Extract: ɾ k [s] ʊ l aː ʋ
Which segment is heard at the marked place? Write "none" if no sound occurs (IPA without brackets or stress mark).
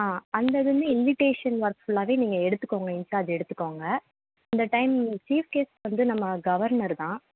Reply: f